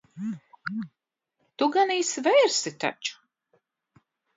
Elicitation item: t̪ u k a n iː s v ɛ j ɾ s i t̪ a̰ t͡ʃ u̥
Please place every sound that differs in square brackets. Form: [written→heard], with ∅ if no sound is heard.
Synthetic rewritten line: t̪ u [k→ɡ] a n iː s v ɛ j ɾ s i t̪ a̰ t͡ʃ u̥